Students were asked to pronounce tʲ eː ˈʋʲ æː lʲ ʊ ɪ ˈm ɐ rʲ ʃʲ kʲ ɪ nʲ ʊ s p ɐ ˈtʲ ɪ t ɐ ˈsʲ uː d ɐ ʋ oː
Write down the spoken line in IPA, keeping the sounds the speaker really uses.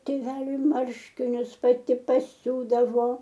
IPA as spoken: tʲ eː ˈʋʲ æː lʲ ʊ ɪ ˈm ɐ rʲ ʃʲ kʲ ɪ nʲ ʊ s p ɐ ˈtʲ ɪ p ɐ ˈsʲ uː d ɐ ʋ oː